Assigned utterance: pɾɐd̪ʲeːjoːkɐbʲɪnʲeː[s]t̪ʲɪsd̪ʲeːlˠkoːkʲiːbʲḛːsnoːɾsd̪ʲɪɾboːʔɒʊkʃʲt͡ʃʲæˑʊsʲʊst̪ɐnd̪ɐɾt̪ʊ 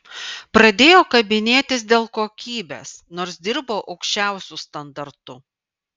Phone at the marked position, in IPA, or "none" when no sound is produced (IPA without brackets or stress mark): none